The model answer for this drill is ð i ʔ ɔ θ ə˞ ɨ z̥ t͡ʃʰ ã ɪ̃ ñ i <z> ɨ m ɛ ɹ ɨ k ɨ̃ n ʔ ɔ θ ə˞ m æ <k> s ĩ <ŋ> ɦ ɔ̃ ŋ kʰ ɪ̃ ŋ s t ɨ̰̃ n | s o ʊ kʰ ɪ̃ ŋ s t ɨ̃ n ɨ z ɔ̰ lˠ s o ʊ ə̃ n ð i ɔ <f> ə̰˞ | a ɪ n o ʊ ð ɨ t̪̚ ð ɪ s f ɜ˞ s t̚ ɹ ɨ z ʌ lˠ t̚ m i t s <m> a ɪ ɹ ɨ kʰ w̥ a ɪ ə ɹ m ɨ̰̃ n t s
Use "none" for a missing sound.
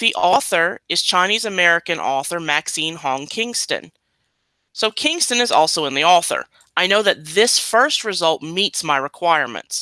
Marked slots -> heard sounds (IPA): z, k, n, θ, m

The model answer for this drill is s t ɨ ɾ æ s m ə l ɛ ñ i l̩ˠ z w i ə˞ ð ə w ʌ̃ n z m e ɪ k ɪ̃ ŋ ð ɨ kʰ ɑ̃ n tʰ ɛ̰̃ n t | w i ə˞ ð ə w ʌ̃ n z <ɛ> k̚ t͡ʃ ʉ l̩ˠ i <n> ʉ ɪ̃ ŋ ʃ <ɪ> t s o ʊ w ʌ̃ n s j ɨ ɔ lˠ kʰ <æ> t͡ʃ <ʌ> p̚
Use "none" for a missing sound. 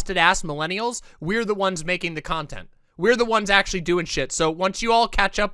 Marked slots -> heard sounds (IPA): æ, d, ɪ, æ, ʌ

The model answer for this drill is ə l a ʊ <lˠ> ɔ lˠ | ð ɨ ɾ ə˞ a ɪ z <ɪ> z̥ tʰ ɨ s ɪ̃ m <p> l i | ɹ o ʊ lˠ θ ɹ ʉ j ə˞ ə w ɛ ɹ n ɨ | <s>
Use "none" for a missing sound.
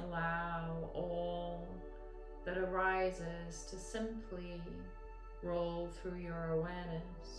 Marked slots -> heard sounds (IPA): none, ɪ, pʰ, s

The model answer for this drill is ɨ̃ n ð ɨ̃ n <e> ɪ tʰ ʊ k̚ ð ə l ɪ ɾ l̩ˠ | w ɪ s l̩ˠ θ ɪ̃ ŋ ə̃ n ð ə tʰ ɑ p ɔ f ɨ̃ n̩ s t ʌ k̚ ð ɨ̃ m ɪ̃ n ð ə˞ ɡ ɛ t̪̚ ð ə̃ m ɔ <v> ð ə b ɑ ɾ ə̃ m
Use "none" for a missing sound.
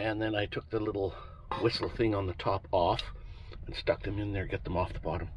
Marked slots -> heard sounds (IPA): a, f

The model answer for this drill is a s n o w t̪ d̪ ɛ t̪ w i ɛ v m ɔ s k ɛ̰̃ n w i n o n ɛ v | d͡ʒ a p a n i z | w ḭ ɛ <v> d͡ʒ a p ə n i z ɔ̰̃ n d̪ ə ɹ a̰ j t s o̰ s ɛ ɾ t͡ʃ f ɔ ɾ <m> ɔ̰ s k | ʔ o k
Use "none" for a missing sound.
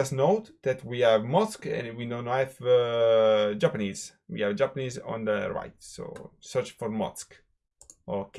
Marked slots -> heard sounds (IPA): v, m

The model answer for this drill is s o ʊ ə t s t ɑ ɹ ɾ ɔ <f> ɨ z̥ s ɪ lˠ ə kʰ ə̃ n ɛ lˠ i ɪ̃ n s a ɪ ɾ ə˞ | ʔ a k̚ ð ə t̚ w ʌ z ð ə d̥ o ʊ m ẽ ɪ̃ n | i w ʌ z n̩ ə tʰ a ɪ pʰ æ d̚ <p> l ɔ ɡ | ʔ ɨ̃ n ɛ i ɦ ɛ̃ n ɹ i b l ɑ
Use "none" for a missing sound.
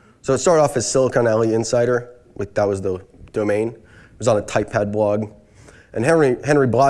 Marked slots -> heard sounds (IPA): f, b

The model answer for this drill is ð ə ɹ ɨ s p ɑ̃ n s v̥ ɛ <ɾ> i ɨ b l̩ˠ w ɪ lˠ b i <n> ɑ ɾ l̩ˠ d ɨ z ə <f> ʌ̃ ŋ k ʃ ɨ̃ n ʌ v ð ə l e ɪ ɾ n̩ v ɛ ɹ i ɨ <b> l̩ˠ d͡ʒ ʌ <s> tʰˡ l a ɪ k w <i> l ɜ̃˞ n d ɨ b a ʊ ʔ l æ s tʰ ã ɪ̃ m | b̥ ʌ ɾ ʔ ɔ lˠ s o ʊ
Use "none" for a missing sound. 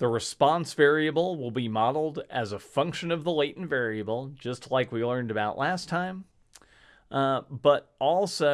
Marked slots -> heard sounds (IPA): ɹ, m, f, b, s, i

